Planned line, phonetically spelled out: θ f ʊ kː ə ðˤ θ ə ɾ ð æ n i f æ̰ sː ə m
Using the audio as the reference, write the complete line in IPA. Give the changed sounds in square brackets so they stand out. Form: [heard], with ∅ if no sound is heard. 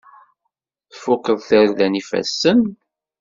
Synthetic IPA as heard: θ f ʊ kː ə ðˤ θ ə ɾ ð æ n i f æ̰ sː ə [n]